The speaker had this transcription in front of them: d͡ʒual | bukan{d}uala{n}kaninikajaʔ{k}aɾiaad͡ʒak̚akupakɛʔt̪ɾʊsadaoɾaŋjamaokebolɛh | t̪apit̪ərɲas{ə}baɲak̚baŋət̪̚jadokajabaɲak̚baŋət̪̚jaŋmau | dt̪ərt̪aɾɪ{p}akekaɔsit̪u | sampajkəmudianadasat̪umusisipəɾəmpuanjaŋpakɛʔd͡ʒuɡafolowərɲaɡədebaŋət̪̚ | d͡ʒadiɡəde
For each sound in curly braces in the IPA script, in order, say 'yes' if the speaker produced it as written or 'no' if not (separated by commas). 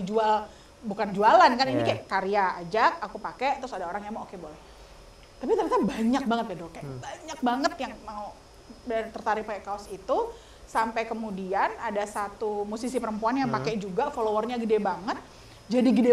no, yes, yes, no, yes